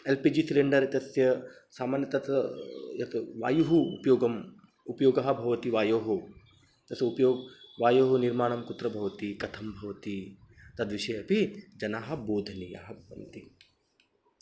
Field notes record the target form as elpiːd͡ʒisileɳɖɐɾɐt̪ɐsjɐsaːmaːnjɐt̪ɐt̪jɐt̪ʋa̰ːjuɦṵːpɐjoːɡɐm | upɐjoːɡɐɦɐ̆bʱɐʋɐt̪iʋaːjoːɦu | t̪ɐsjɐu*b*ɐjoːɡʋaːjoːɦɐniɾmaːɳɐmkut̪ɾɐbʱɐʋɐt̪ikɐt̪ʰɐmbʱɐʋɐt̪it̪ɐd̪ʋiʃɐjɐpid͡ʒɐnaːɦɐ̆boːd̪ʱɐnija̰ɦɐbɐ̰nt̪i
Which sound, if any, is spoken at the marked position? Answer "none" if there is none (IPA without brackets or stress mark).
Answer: p